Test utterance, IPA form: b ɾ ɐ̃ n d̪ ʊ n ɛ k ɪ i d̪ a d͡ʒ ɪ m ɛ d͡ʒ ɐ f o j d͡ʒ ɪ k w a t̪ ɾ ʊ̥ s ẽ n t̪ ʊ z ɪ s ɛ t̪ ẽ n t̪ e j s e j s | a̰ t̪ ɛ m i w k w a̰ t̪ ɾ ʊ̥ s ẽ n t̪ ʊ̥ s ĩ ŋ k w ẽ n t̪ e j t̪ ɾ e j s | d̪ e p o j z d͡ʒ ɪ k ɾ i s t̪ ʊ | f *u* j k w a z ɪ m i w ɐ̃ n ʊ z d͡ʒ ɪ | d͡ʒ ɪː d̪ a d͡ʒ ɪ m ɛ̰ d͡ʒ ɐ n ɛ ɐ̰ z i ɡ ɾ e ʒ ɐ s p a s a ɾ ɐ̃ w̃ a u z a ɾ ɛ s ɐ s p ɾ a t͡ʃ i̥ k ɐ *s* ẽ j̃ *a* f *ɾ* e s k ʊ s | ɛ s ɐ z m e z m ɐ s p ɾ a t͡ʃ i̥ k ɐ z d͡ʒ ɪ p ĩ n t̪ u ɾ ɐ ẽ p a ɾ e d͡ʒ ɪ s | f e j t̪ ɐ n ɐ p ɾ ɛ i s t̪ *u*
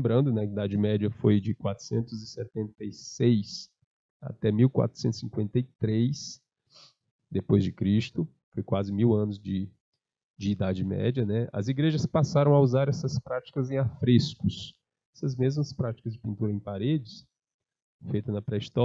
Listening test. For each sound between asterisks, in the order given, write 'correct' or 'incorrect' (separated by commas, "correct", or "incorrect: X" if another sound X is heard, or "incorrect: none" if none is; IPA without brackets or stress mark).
incorrect: o, incorrect: z, correct, correct, incorrect: ɔ